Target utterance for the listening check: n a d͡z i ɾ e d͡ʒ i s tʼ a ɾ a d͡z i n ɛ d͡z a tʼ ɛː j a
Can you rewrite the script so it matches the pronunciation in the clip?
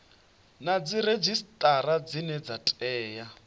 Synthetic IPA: n a d͡z i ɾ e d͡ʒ i s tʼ a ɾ a d͡z i n ɛ d͡z a tʼ ɛː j a